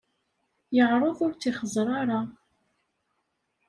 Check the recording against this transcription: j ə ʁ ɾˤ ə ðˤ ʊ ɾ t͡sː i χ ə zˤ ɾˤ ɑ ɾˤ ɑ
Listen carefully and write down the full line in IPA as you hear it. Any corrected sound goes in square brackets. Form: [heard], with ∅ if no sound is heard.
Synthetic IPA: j ə ʁ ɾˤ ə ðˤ ʊ ɾ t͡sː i χ ə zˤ ɾˤ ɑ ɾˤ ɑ